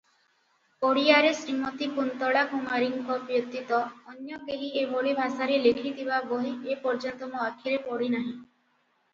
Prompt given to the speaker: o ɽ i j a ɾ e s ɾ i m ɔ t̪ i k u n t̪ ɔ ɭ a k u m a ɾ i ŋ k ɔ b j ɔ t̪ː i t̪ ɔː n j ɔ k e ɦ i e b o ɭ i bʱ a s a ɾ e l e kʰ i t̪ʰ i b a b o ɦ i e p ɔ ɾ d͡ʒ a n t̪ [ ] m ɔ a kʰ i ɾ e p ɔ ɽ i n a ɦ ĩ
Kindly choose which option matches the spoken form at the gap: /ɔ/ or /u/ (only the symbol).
ɔ